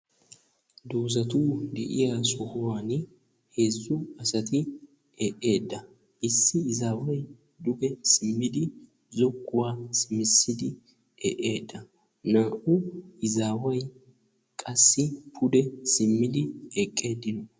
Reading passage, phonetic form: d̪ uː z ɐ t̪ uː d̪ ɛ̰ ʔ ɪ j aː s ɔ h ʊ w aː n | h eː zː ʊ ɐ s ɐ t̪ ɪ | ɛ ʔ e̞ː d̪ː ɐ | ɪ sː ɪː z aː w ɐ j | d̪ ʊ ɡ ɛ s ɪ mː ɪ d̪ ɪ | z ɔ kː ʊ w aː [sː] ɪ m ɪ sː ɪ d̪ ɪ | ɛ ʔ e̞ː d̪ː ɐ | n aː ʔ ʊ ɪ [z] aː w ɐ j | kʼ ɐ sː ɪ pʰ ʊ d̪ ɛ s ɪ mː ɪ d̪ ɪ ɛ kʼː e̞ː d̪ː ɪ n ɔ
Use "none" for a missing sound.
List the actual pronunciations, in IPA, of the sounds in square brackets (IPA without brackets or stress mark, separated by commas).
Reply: s, z